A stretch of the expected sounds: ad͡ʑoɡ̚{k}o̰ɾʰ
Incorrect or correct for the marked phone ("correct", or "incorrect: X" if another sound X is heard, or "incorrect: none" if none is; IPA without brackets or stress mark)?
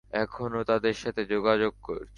correct